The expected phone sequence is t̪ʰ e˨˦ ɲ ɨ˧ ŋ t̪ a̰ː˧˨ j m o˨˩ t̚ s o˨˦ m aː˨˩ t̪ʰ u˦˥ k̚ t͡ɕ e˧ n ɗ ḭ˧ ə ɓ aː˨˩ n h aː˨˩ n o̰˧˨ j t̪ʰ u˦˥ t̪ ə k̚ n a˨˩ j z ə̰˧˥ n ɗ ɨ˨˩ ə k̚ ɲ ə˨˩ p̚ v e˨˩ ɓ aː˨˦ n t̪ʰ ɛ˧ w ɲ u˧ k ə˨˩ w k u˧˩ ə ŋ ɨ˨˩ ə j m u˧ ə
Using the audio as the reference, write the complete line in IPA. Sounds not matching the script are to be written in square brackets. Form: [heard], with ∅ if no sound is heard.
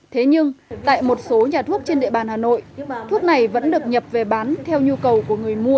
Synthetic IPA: t̪ʰ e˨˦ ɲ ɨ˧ ŋ t̪ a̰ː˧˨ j m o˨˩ t̚ s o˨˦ [ɲ] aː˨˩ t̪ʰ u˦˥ k̚ t͡ɕ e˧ n ɗ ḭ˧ ə ɓ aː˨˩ n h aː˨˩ n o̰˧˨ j t̪ʰ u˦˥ [∅] ə k̚ n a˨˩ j [v] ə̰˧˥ n ɗ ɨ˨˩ ə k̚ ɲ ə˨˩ p̚ v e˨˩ ɓ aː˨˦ n t̪ʰ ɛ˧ w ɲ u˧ k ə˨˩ w k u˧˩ ə ŋ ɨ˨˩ ə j m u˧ ə